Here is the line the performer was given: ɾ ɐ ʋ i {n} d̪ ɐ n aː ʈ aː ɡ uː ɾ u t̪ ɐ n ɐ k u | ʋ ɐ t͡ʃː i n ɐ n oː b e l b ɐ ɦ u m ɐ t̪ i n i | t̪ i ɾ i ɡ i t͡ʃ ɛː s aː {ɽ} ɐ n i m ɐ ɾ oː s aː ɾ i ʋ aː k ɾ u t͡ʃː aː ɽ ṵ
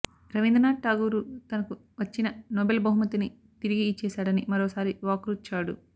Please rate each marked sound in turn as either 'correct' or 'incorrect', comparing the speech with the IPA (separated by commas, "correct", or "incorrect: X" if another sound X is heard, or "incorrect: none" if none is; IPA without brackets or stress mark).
correct, correct